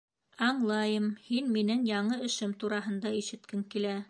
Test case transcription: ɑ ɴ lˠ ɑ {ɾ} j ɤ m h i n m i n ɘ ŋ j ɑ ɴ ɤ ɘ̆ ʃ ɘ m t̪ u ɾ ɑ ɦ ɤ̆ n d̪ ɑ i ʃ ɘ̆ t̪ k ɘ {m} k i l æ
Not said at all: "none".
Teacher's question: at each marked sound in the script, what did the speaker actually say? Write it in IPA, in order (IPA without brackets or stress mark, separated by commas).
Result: none, ŋ